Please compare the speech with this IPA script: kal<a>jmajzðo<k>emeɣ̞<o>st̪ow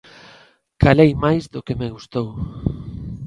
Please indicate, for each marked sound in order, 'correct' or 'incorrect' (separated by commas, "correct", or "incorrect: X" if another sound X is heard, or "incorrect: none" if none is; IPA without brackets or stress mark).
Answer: incorrect: e, correct, incorrect: u